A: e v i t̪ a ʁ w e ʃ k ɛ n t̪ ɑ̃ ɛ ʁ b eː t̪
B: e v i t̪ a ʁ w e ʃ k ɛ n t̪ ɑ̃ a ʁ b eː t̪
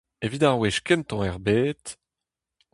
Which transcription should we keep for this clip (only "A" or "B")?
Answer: A